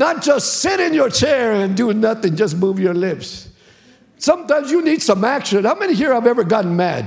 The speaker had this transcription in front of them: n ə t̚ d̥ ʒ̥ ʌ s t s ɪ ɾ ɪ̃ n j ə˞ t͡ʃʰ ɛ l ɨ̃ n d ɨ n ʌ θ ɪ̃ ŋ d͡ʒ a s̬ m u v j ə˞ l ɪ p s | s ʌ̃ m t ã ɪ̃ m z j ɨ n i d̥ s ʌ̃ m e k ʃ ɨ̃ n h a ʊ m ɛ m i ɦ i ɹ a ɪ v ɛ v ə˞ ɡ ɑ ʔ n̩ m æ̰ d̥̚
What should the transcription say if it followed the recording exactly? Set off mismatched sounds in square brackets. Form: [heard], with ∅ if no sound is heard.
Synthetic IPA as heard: n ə t̚ d̥ ʒ̥ ʌ s t s ɪ ɾ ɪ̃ n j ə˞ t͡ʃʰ ɛ [ɹ] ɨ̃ n d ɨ n ʌ θ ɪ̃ ŋ d͡ʒ [ʌ] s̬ m u v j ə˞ l ɪ p s | s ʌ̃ m t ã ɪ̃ m z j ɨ n i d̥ s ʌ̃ m [æ] k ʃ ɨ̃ n h a ʊ m ɛ [n] i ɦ i ɹ a ɪ v ɛ v ə˞ ɡ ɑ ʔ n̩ m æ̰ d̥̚